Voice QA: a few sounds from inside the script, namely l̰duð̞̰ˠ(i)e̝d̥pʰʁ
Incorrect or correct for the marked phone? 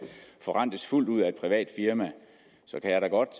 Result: incorrect: æ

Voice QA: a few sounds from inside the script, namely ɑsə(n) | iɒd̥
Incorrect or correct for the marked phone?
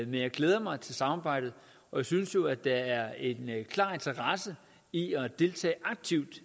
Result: incorrect: none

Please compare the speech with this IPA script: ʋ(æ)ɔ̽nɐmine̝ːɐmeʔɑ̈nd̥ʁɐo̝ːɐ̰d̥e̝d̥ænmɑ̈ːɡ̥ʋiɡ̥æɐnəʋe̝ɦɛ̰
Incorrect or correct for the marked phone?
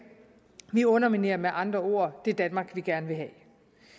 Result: incorrect: i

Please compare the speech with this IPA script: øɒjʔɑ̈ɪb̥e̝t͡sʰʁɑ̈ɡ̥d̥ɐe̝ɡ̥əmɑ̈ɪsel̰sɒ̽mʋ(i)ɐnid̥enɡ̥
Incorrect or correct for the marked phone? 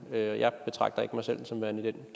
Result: incorrect: æ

